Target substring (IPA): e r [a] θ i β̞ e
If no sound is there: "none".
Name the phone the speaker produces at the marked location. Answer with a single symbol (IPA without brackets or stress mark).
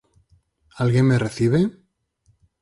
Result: e